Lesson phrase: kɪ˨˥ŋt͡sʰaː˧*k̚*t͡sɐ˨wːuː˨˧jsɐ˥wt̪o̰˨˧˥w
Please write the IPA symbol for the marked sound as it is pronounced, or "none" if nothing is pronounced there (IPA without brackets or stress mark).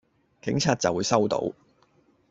t̚